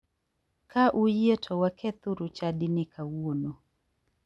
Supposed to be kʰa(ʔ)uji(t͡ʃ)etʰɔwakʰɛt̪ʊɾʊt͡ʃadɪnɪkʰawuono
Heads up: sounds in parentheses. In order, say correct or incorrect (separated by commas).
correct, incorrect